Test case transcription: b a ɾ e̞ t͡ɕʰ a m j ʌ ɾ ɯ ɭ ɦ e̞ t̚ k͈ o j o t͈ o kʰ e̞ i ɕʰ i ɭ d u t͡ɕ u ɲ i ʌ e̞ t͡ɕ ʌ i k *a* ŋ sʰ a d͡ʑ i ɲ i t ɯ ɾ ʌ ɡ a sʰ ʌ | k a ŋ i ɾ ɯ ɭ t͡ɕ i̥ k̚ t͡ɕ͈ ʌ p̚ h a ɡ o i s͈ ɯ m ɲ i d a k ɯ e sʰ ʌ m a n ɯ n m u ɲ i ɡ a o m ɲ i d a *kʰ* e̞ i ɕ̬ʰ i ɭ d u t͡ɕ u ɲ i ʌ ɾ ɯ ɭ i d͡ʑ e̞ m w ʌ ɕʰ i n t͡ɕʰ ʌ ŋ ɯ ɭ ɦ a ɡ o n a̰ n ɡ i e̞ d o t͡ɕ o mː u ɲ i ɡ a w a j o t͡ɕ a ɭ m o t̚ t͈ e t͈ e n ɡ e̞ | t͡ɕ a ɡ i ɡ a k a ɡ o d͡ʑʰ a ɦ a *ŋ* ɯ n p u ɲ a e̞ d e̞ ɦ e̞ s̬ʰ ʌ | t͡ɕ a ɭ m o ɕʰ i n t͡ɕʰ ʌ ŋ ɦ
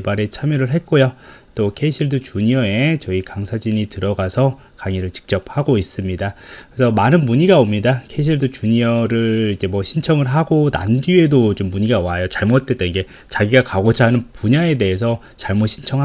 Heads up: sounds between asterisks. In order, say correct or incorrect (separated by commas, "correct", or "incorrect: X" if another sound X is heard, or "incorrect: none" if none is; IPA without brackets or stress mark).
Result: correct, correct, incorrect: n